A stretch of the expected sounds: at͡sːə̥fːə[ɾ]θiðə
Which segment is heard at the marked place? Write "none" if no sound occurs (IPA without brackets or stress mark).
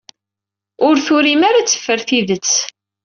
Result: ɾ